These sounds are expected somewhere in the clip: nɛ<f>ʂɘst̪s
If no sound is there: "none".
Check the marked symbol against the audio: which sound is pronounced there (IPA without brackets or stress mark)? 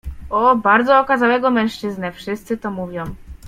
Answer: f